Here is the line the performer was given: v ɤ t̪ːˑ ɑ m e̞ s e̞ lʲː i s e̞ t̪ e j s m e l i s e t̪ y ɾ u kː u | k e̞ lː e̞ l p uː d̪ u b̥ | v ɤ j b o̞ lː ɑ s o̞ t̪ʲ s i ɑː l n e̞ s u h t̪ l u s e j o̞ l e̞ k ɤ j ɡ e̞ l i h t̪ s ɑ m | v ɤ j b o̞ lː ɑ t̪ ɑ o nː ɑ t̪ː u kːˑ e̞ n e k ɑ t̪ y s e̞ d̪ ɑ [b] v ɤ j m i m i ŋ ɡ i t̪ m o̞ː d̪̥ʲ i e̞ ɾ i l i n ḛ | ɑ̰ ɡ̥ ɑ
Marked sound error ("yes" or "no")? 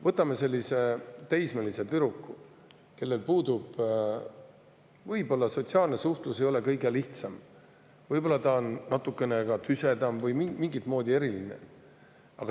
yes